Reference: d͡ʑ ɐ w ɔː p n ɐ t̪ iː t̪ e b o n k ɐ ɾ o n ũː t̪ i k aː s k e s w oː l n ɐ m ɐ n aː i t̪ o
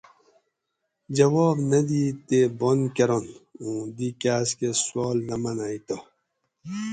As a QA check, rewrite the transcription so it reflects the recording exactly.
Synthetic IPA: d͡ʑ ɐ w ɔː b n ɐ d̪ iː t̪ e b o n k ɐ ɾ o n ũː d̪ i k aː s k e s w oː l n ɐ m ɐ n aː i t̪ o